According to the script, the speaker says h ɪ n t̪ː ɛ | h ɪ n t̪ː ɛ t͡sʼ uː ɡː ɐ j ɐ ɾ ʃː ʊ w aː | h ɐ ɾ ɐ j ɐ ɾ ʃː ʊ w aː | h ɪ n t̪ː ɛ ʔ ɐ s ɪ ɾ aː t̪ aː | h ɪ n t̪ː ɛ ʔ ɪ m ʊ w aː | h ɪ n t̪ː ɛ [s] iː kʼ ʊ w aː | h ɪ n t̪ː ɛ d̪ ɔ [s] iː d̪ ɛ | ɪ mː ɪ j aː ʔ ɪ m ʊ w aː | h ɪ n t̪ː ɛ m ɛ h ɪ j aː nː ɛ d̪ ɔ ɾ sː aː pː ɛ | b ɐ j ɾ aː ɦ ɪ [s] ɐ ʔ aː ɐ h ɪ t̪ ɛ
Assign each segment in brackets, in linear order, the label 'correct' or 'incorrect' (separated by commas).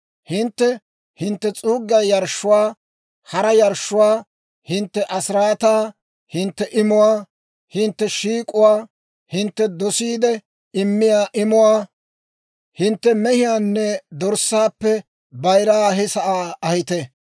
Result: incorrect, correct, correct